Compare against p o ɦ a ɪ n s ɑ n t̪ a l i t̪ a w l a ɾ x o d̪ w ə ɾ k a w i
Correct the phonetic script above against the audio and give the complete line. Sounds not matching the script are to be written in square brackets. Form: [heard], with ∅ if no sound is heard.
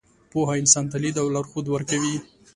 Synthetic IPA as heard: p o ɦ a ɪ n s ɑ n t̪ a l i [d̪] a w l a ɾ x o d̪ w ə ɾ k a w i